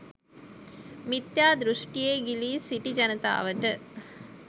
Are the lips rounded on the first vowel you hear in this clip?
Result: no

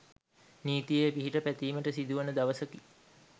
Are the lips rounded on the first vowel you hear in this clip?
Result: no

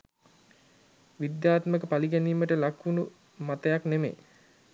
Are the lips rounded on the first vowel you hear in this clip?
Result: no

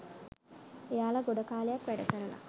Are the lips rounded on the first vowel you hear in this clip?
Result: no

